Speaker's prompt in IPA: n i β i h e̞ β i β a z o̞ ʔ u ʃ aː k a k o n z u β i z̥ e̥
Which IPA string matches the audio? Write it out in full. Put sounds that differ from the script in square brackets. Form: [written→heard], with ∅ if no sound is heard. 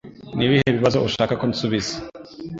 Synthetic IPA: n i β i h e̞ β i β a z o̞ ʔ u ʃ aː k a k o n [z→s] u β i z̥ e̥